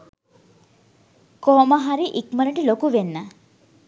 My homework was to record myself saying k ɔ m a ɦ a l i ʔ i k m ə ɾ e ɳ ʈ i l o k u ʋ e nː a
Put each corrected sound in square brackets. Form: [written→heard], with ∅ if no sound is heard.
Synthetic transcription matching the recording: k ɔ m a ɦ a [l→ɾ] i ʔ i k m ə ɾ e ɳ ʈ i l o k u ʋ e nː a